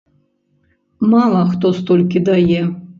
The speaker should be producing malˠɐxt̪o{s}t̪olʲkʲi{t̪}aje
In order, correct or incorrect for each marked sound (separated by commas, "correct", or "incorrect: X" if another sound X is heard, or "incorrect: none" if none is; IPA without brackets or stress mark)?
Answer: correct, incorrect: d̪